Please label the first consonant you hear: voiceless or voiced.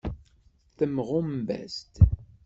voiceless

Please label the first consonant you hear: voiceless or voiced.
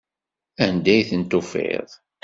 voiced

